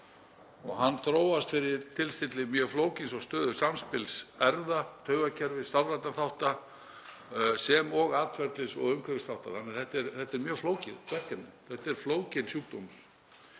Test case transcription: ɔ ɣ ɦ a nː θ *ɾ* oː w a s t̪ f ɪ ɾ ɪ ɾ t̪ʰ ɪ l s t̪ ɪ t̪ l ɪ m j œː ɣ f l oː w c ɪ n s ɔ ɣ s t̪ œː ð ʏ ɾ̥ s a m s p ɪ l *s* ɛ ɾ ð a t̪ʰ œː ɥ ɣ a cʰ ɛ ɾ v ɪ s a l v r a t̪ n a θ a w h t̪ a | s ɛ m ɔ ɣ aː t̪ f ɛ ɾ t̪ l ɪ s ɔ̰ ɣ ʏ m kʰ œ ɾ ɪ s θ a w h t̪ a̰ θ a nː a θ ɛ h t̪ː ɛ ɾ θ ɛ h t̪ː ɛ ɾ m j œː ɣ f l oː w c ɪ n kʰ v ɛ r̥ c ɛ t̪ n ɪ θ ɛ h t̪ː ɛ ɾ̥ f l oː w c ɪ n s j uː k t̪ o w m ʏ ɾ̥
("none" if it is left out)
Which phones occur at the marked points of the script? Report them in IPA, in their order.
ɾ, s

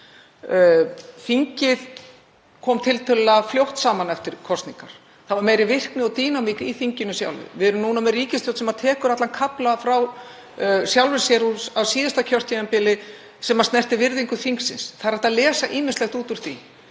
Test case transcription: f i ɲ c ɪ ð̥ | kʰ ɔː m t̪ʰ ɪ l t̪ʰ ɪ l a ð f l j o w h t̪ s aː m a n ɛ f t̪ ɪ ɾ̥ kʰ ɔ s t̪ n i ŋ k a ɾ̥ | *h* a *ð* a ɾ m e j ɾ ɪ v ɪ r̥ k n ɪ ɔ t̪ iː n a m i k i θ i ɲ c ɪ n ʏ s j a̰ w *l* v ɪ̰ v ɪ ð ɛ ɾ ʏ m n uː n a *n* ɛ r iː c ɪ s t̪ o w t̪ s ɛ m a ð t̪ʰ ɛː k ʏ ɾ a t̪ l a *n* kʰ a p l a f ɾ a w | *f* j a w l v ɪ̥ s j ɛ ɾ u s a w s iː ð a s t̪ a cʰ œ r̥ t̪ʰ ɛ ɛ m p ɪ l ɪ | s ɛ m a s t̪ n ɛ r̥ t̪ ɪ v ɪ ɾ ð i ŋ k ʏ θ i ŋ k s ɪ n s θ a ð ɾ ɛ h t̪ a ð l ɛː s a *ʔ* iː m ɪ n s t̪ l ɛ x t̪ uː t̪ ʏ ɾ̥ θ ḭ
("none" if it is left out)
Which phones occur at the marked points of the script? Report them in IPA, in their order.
θ, v, l, m, n, s, ʔ

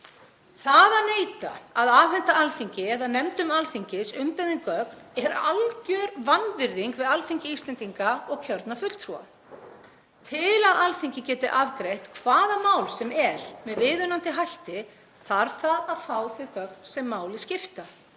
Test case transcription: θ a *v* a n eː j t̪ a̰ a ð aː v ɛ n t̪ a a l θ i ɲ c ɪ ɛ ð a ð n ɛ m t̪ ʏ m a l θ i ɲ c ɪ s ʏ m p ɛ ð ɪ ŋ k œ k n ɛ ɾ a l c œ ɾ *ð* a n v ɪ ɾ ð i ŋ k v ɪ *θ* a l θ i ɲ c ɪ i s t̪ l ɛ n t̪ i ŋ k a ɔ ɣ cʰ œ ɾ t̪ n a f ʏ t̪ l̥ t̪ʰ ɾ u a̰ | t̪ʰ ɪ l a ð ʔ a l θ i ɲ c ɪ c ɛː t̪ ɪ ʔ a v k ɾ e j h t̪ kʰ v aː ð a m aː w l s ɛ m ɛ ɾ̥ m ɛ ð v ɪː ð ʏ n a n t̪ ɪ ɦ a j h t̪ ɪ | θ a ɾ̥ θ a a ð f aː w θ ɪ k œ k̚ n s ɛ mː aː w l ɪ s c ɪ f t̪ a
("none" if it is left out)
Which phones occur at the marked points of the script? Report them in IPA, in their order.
ð, v, ð

